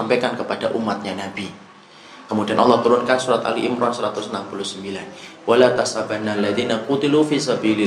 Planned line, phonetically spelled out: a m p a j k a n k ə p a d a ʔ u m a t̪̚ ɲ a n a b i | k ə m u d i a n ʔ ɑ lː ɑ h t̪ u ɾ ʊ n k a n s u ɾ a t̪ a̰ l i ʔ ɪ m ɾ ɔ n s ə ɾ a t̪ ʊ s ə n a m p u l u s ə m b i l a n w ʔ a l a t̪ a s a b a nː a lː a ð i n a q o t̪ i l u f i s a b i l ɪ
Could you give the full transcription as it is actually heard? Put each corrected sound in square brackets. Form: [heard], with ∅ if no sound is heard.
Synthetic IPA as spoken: a m p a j k a n k ə p a d a ʔ u m a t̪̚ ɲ a n a b i | k ə m u d i a n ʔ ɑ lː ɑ h t̪ u ɾ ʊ n k a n s u ɾ a t̪ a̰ l i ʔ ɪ m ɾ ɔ n s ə ɾ a t̪ ʊ s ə n a m p u l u s ə m b i l a n w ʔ a l a t̪ a s a b a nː a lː a ð i n a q [u] t̪ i l u f i s a b i l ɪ